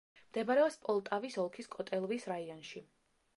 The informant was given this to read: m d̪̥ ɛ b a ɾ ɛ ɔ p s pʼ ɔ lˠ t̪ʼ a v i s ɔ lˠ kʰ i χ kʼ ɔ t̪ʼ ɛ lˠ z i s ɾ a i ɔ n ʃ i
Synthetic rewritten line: m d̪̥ ɛ b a ɾ ɛ ɔ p s pʼ ɔ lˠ t̪ʼ a v i s ɔ lˠ kʰ i s kʼ ɔ t̪ʼ ɛ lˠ v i s ɾ a i ɔ n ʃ i

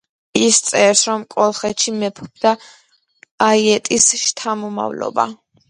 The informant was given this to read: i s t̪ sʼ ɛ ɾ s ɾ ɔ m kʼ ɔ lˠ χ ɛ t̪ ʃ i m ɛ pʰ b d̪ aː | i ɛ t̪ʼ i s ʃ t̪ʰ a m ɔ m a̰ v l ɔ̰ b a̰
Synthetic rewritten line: i s t̪ sʼ ɛ ɾ s ɾ ɔ m kʼ ɔ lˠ χ ɛ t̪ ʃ i m ɛ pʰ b d̪ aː | i ɛ t̪ʼ i s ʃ t̪ʰ a m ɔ m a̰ v l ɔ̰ b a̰

